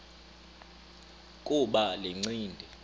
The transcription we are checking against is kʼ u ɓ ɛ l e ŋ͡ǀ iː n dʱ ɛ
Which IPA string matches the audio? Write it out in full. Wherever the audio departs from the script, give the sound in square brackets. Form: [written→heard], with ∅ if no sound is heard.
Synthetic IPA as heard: kʼ u ɓ [ɛ→a] l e ŋ͡ǀ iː n dʱ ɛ